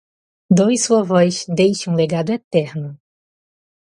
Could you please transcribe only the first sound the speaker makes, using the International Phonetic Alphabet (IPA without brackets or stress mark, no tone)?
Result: d̪